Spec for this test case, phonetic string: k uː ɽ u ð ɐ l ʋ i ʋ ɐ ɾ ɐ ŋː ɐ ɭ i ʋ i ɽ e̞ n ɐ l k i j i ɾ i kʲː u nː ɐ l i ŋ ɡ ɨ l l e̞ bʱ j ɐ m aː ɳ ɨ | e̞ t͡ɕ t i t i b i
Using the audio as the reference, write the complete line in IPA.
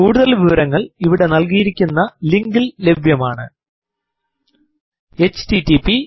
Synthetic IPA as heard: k uː ɽ u ð ɐ l ʋ i ʋ ɐ ɾ ɐ ŋː ɐ ɭ i ʋ i ɽ e̞ n ɐ l k i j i ɾ i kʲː u nː ɐ l i ŋ ɡ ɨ l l e̞ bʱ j ɐ m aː ɳ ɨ | e̞ t͡ɕ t i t i p i

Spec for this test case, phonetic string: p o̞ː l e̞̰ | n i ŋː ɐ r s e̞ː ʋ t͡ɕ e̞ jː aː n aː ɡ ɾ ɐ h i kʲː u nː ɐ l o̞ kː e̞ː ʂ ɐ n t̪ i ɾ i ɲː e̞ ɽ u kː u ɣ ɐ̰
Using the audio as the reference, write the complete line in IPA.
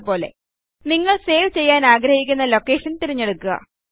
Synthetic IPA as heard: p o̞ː l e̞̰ | n i ŋː ɐ ɭ s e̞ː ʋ t͡ɕ e̞ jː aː n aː ɡ ɾ ɐ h i kʲː u nː ɐ l o̞ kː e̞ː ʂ ɐ n t̪ i ɾ i ɲː e̞ ɽ u kː u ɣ ɐ̰

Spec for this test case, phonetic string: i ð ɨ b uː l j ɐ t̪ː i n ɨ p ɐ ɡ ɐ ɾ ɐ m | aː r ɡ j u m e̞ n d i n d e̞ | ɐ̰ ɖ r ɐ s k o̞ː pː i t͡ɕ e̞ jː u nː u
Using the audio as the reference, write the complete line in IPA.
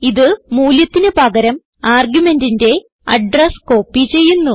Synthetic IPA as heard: i ð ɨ m uː l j ɐ t̪ː i n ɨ p ɐ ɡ ɐ ɾ ɐ m | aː r ɡ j u m e̞ n d i n d e̞ | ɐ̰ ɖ r ɐ s k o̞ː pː i t͡ɕ e̞ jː u nː u

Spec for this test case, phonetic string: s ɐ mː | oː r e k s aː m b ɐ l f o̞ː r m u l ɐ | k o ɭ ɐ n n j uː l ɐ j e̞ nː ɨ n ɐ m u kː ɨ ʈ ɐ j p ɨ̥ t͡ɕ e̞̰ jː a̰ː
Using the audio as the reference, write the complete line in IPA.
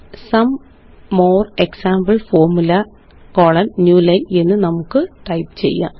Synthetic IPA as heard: s ɐ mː | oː r e k s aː m b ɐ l f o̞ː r m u l ɐ | k o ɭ ɐ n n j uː l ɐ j e̞ nː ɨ n ɐ m u kː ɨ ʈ ɐ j p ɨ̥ t͡ɕ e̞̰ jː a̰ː

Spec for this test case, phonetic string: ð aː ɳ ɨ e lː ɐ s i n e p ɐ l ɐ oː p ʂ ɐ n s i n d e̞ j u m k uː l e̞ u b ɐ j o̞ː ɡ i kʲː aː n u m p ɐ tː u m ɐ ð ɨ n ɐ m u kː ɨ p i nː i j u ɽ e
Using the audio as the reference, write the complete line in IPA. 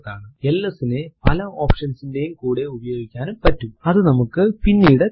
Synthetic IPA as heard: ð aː ɳ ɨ e lː ɐ s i n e p ɐ l ɐ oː p ʂ ɐ n s i n d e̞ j u m k uː ɽ e̞ u b ɐ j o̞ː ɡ i kʲː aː n u m p ɐ tː u m ɐ ð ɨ n ɐ m u kː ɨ p i nː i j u ɽ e

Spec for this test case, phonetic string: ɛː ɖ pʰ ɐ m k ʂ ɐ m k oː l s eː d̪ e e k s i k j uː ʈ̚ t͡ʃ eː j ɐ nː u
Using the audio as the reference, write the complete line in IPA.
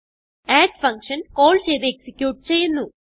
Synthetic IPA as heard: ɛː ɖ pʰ ɐ ŋ k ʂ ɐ n k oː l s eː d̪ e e k s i k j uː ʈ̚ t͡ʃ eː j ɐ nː u

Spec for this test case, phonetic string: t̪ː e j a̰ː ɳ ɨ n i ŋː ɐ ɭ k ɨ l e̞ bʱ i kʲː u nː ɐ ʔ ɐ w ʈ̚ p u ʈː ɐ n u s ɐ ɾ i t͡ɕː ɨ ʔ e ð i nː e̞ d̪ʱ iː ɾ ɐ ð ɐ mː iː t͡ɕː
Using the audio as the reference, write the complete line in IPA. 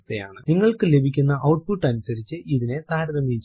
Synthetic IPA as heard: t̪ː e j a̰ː ɳ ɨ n i ŋː ɐ ɭ k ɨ l e̞ bʱ i kʲː u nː ɐ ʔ ɐ w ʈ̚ p u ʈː ɐ n u s ɐ ɾ i t͡ɕː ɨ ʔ i ð i n e̞ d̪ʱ aː ɾ ɐ ð ɐ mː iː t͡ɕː

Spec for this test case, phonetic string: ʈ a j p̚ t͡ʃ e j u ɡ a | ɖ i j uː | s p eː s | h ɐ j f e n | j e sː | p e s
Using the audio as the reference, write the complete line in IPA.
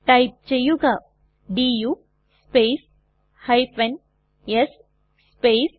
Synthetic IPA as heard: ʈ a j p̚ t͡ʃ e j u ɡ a | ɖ i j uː | s p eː s | h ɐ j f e n | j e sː | p e s

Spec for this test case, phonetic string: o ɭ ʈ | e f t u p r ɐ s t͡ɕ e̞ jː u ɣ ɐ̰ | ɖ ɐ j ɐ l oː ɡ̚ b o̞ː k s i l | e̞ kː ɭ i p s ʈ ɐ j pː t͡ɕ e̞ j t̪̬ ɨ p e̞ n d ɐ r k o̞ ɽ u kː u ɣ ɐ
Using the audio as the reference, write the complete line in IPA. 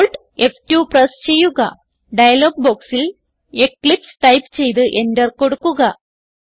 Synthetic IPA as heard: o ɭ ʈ | e f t u p r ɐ s t͡ɕ e̞ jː u ɣ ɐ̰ | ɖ ɐ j ɐ l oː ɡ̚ b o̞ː k s i l | e̞ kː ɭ i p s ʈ ɐ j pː t͡ɕ e̞ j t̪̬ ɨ ʔ e̞ n d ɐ r k o̞ ɽ u kː u ɣ ɐ

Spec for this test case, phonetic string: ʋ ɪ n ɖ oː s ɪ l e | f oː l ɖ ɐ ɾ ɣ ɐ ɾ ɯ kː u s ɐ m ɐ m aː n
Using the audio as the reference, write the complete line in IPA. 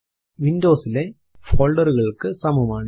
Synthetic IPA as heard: ʋ ɪ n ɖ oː s ɪ l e | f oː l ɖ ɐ ɾ ɣ ɐ ɭ ɯ kː ɯ s ɐ m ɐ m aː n

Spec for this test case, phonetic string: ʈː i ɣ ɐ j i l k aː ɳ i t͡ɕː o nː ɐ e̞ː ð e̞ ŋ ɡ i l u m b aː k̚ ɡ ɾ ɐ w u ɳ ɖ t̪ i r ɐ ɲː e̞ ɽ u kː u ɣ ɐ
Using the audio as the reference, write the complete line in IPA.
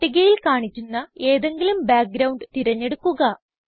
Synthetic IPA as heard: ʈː i ɣ ɐ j i l k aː ɳ i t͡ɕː u nː ɐ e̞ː ð e̞ ŋ ɡ i l u m b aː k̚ ɡ ɾ ɐ w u ɳ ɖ t̪ i ɾ ɐ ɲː e̞ ɽ u kː u ɣ ɐ

